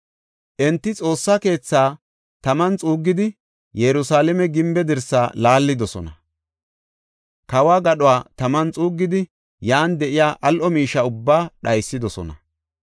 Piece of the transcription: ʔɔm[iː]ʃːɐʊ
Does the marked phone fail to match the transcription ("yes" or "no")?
no